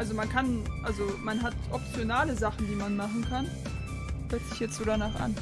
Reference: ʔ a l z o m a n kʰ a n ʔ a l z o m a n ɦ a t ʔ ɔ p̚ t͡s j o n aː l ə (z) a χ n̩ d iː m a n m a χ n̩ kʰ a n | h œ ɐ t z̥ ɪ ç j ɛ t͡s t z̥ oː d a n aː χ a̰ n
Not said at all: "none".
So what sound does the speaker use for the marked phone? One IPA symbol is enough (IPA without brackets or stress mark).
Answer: z